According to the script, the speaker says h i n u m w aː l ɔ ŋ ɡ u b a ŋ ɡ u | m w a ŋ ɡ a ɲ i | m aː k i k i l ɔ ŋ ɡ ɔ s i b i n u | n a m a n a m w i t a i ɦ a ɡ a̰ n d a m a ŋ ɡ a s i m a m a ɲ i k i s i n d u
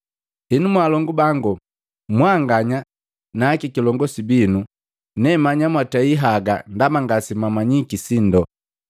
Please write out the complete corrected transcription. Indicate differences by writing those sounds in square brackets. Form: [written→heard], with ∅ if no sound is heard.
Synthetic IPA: h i n u m w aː l ɔ ŋ ɡ u b a ŋ ɡ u | m w a ŋ ɡ a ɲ [i→a] | [m→n] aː k i k i l ɔ ŋ ɡ ɔ s i b i n u | n [a→ɛ] m a [n→ɲ] a m w [i→a] t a i ɦ a ɡ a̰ n d a m a ŋ ɡ a s i m a m a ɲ i k i s i n d [u→ɔ]